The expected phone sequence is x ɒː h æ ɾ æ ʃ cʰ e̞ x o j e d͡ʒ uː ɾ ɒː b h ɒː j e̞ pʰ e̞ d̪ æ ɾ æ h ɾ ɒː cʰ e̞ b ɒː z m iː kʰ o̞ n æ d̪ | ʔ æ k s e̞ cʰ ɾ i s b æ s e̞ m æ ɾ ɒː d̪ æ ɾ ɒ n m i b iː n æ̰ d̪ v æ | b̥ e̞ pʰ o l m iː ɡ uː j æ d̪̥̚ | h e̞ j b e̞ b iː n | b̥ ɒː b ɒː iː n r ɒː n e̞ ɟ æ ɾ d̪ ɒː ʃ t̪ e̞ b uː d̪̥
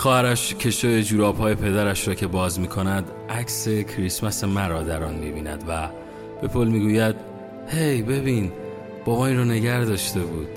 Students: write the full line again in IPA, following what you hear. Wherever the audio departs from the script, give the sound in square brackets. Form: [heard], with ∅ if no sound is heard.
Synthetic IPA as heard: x ɒː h æ ɾ æ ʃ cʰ e̞ [ʃ] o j e d͡ʒ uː ɾ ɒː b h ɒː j e̞ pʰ e̞ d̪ æ ɾ æ [ʃ] ɾ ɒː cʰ e̞ b ɒː z m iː kʰ o̞ n æ d̪ | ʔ æ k s e̞ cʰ ɾ i s [m] æ s e̞ m æ ɾ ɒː d̪ æ ɾ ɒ n m i b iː n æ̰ d̪ v æ | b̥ e̞ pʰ o l m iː ɡ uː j æ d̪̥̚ | h e̞ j b e̞ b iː n | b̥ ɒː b ɒː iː n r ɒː n e̞ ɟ æ ɾ d̪ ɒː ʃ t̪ e̞ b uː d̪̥